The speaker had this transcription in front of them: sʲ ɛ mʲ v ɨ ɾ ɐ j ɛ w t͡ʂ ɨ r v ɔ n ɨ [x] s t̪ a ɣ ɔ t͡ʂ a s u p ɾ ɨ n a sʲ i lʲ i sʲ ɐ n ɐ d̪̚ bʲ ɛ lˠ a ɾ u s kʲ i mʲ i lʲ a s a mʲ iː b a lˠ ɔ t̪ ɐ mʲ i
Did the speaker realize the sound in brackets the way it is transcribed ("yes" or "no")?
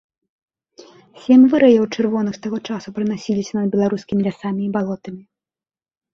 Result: yes